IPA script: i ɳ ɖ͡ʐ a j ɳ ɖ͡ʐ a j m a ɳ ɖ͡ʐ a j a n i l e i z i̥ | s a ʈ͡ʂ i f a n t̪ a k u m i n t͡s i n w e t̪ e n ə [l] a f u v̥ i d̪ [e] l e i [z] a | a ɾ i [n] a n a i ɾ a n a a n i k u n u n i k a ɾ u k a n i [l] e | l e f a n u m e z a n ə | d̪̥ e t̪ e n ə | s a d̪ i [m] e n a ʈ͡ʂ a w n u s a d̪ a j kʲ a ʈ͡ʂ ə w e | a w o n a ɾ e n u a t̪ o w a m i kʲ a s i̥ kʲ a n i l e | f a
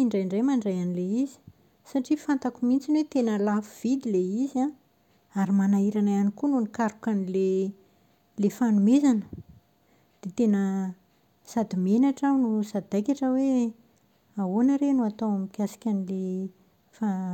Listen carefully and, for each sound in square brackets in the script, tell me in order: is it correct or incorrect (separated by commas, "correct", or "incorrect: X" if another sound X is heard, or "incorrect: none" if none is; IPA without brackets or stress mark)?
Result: correct, incorrect: i, correct, incorrect: m, correct, correct